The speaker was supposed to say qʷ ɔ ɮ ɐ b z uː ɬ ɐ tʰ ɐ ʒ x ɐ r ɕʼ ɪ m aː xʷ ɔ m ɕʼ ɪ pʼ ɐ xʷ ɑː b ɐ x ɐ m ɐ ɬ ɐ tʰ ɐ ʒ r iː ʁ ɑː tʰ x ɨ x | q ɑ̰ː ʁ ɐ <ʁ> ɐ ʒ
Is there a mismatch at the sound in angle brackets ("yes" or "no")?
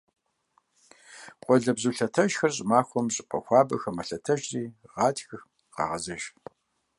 yes